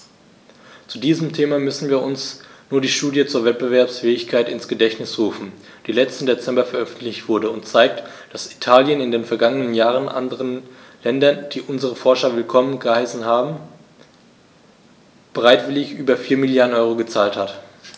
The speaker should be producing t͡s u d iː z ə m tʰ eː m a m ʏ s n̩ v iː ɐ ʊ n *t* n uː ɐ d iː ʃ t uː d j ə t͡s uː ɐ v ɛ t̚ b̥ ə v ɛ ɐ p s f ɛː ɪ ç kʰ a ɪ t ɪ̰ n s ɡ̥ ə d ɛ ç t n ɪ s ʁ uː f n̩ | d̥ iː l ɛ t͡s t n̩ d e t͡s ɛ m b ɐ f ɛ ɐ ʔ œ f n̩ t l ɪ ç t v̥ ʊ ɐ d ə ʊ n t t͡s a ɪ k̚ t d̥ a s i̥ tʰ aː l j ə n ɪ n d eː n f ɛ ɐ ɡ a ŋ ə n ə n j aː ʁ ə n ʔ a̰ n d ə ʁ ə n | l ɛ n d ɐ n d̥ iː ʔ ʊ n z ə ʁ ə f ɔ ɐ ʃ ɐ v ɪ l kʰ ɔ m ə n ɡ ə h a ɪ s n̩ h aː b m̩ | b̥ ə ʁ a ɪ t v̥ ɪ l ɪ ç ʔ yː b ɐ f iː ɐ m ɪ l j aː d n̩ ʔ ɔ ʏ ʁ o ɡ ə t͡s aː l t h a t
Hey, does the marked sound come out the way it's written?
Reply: no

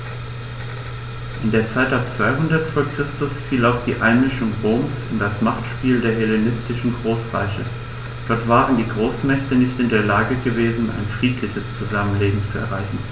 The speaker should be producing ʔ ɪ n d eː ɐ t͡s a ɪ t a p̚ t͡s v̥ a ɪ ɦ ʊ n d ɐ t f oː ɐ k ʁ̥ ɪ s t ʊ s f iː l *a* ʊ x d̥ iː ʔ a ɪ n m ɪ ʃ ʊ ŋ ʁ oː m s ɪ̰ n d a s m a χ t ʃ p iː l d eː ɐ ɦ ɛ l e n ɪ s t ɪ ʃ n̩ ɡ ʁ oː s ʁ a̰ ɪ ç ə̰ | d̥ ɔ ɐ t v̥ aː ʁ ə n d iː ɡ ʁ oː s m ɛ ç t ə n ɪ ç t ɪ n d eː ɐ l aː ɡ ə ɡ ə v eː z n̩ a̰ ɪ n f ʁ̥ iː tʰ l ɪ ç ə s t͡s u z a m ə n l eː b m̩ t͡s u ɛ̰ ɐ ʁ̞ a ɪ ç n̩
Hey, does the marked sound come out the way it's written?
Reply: yes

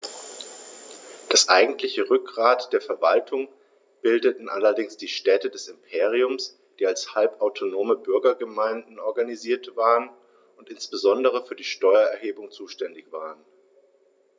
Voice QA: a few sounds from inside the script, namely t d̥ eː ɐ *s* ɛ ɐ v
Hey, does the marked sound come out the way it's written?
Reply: no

